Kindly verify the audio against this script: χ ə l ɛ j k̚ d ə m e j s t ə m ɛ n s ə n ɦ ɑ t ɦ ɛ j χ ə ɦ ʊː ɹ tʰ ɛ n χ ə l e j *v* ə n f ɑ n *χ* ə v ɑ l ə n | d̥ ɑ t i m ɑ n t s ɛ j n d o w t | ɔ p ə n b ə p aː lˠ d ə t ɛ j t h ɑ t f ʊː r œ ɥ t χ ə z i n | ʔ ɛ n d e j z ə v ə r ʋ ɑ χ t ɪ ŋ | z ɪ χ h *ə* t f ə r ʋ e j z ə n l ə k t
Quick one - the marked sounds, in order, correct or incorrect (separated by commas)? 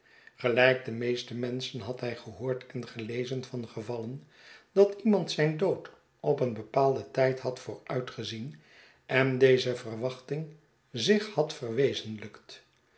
incorrect, correct, incorrect